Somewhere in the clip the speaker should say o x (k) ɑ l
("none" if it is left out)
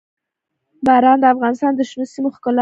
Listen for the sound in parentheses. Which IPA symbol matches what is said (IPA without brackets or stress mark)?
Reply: k